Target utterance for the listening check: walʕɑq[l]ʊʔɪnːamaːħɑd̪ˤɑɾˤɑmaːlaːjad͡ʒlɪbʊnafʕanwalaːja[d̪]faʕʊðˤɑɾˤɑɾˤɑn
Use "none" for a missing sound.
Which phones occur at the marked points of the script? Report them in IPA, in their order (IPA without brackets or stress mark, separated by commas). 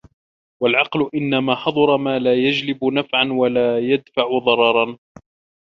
l, d̪